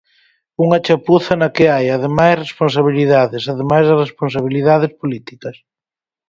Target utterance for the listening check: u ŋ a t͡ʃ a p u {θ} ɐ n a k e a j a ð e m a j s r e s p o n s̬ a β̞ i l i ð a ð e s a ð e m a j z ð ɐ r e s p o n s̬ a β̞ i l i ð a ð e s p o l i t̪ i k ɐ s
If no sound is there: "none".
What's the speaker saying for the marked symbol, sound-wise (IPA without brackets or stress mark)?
θ